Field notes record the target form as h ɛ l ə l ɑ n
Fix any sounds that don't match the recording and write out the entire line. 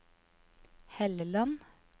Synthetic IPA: h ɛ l ə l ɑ n